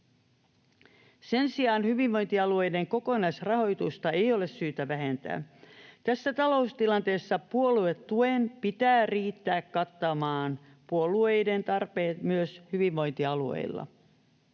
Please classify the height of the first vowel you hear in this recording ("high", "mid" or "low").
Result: mid